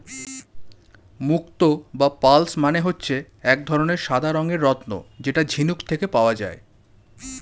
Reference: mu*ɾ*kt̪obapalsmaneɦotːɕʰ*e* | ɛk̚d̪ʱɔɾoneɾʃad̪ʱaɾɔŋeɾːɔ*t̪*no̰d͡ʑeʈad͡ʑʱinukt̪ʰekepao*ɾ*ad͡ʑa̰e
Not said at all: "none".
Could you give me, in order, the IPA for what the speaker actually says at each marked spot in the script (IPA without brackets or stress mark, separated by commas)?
none, e, t̪, none